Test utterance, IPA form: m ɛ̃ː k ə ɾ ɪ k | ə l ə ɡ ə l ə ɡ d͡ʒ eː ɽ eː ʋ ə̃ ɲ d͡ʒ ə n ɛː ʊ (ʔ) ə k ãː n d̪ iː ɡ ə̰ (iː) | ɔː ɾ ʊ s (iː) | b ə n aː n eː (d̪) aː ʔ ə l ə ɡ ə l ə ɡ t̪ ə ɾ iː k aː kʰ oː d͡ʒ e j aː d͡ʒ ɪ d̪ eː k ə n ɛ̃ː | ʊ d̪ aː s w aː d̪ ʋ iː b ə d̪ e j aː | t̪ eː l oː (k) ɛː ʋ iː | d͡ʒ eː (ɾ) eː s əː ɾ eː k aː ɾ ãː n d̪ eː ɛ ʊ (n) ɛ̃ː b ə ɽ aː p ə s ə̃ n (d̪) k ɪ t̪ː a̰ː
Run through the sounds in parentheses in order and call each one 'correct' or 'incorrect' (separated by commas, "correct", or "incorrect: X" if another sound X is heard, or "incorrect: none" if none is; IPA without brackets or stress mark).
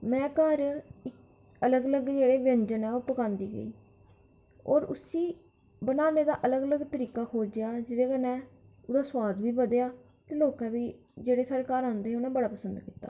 incorrect: p, correct, correct, correct, correct, incorrect: ɽ, correct, correct